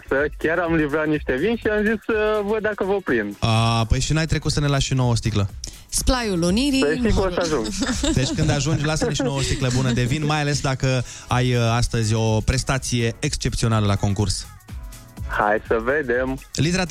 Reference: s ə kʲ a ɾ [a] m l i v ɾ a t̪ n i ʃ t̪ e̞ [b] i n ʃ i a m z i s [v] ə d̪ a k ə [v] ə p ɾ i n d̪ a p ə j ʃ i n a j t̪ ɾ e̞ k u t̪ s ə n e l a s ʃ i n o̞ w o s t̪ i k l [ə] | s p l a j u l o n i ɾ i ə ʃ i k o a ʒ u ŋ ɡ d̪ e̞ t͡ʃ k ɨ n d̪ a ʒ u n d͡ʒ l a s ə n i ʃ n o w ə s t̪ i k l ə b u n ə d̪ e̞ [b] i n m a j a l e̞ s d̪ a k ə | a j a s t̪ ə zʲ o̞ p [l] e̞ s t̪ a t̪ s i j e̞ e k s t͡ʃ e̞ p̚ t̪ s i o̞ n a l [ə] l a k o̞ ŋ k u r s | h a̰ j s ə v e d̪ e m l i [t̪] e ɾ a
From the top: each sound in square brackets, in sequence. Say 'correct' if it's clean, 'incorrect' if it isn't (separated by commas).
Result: correct, incorrect, correct, correct, correct, incorrect, incorrect, correct, correct